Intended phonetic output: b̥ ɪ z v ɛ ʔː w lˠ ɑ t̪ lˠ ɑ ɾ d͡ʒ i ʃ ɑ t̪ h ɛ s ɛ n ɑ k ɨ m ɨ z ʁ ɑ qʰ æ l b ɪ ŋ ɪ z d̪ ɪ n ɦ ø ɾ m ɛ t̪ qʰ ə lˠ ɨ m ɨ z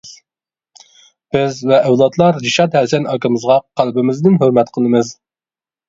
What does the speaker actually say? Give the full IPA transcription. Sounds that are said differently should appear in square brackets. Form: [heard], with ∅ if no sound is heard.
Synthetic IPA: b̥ ɪ z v ɛ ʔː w lˠ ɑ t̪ lˠ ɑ ɾ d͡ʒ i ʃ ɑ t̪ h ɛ s ɛ n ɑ k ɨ m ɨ z ʁ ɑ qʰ æ l b ɪ [m] ɪ z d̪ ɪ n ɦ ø ɾ m ɛ t̪ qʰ ə lˠ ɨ m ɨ z